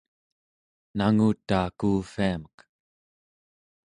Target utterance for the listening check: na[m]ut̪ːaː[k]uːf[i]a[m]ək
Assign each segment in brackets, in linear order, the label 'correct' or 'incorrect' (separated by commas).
incorrect, correct, correct, correct